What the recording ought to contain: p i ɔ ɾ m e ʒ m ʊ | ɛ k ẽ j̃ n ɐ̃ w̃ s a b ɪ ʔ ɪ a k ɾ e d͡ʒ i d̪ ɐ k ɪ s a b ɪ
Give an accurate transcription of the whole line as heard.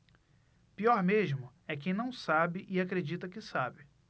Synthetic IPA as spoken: p i ɔ ɾ m e ʒ m ʊ | ɛ k ẽ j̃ n ɐ̃ w̃ s a b ɪ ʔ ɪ a k ɾ e d͡ʒ i t̪ ɐ k ɪ s a b ɪ